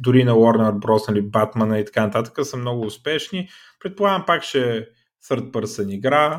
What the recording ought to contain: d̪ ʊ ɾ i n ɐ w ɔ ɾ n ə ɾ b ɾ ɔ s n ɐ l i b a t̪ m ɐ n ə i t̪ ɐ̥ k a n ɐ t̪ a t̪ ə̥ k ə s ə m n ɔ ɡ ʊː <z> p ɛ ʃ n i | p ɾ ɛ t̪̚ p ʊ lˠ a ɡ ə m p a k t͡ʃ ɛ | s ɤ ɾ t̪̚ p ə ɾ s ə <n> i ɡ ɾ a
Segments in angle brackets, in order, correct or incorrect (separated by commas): incorrect, correct